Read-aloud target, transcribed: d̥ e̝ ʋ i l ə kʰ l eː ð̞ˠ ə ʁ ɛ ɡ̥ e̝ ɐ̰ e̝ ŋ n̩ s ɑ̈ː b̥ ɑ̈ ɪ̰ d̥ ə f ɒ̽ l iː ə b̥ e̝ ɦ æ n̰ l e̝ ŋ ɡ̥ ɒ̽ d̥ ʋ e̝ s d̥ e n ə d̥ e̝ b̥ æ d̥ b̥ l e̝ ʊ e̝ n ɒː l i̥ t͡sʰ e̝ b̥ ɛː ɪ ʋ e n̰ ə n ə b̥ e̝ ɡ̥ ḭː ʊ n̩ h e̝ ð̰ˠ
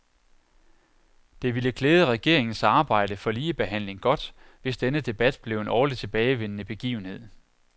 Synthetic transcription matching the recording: d̥ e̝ ʋ i l ə kʰ l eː ð̞ˠ ə ʁ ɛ ɡ̥ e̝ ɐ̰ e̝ ŋ n̩ s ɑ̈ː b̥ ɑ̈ ɪ̰ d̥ ə f ɒ̽ l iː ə b̥ e̝ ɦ æ n̰ l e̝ ŋ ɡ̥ ɒ̽ d̥ ʋ e̝ s d̥ e n ə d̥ e̝ b̥ æ d̥ b̥ l e̝ ʊ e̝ n ɒː l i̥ t͡sʰ e̝ b̥ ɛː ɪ ʋ e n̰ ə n ə b̥ e̝ ɡ̥ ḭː ʊ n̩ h e̝ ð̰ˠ